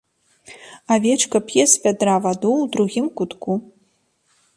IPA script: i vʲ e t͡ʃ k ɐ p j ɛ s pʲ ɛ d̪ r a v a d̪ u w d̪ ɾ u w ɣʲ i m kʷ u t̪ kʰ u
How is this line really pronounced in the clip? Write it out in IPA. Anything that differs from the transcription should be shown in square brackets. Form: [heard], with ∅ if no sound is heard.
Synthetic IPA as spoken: [a] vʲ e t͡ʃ k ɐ p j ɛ s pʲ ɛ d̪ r a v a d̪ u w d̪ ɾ u [∅] ɣʲ i m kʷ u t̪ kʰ u